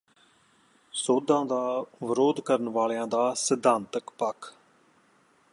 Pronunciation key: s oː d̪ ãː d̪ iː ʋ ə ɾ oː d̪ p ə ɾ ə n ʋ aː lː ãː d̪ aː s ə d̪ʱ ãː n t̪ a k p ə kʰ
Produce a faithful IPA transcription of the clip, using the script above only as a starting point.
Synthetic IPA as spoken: s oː d̪ ãː d̪ aː ʋ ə ɾ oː d̪ k ə ɾ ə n ʋ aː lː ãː d̪ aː s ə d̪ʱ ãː n t̪ ə k p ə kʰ